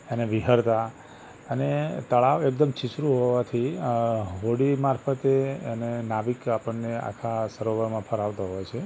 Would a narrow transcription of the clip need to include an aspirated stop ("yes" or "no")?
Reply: yes